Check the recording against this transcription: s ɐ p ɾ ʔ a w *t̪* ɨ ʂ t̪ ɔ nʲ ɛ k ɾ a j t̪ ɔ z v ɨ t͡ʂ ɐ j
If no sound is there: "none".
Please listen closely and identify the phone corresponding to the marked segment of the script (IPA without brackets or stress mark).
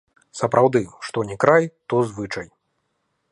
d̪